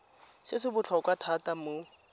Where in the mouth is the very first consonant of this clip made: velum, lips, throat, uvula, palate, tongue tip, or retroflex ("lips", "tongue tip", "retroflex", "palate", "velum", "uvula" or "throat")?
tongue tip